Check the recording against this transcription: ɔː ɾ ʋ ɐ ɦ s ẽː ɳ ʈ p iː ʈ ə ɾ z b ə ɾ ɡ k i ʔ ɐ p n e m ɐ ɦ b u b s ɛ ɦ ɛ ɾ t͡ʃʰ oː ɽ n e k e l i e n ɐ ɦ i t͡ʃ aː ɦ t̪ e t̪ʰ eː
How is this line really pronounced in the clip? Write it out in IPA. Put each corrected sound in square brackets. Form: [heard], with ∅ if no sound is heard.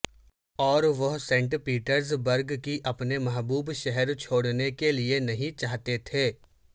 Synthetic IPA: ɔː ɾ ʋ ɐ ɦ s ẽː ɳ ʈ p iː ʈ ə ɾ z b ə ɾ ɡ k i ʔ ɐ p n e m ɐ ɦ b [uː] b [ʃ] ɛ ɦ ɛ ɾ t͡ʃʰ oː ɽ n e k e l i e n ɐ ɦ [ĩ] t͡ʃ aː ɦ t̪ e t̪ʰ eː